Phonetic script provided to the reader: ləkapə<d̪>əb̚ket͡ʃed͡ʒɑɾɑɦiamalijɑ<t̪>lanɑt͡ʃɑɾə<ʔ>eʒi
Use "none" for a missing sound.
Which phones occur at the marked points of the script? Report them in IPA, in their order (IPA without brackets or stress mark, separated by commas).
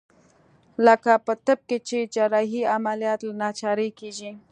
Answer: t̪, t̪, k